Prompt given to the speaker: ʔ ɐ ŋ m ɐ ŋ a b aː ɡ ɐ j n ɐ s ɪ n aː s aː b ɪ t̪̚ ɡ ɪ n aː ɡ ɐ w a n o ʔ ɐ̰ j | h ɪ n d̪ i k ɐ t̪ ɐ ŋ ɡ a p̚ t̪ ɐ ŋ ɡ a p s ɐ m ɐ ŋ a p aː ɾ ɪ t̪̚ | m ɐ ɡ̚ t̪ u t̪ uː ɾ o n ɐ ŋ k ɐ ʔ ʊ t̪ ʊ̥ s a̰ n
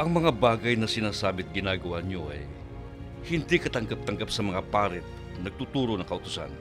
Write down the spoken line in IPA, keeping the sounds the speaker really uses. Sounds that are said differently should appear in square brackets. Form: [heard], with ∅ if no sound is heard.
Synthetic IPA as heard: ʔ ɐ ŋ m ɐ ŋ a b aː ɡ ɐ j n ɐ s ɪ n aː s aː b ɪ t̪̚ ɡ ɪ n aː ɡ ɐ w a [ɲ] o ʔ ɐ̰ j | h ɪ n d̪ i k ɐ t̪ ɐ ŋ ɡ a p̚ t̪ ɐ ŋ ɡ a p s ɐ m ɐ ŋ a p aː ɾ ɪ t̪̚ | [n] ɐ ɡ̚ t̪ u t̪ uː ɾ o n ɐ ŋ k ɐ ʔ ʊ t̪ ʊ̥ s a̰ n